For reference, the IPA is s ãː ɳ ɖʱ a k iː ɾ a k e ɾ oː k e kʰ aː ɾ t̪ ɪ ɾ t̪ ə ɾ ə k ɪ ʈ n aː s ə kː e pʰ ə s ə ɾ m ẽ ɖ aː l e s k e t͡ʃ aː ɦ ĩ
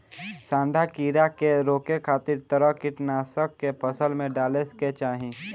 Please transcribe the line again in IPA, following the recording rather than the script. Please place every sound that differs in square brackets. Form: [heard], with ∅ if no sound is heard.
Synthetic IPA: s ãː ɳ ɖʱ a k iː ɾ a k e ɾ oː k e kʰ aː [∅] t̪ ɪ ɾ t̪ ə ɾ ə k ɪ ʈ n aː s ə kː e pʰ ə s ə [l] m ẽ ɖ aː l e s k e t͡ʃ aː ɦ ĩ